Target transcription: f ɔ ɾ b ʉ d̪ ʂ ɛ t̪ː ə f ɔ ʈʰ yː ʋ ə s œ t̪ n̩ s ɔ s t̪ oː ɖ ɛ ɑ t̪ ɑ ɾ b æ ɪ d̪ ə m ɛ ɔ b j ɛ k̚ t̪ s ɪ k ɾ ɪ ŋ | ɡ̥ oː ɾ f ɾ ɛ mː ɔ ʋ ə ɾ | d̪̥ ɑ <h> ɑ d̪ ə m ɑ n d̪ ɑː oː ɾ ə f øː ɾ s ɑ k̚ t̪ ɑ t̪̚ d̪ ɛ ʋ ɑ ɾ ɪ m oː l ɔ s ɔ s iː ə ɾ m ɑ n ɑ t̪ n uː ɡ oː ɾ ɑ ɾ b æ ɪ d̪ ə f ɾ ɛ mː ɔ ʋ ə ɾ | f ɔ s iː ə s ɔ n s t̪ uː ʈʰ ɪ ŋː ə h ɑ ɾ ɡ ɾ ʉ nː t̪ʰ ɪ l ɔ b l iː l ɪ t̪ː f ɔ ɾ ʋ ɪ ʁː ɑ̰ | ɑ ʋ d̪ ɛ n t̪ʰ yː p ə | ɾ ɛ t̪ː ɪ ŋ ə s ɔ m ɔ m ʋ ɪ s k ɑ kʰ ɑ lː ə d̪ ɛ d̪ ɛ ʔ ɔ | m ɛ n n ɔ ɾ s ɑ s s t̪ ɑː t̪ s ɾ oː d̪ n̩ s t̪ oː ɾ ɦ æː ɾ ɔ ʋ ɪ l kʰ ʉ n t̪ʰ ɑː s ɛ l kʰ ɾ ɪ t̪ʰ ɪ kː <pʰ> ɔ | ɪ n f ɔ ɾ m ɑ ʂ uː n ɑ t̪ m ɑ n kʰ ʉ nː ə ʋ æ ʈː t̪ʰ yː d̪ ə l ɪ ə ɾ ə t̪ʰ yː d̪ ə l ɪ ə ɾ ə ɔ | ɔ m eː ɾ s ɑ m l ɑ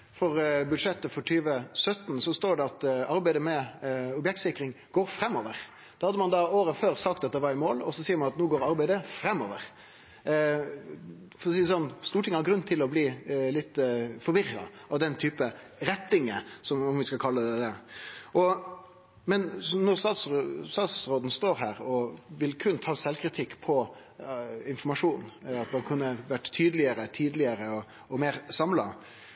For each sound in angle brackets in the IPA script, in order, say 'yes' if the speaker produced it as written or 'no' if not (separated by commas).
yes, yes